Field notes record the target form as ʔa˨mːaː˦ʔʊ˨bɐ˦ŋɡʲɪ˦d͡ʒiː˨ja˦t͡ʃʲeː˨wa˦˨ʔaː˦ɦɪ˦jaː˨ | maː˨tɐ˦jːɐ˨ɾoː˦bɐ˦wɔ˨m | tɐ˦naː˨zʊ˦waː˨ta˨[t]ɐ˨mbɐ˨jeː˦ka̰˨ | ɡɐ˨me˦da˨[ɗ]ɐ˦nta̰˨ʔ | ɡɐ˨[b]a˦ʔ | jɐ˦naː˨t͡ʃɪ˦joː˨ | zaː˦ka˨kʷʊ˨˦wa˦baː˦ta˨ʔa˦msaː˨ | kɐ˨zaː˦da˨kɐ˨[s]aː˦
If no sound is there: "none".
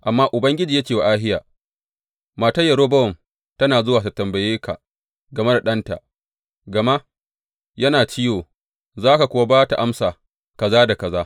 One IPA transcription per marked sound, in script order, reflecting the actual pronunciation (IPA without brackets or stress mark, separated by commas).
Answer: t, ɗ, m, z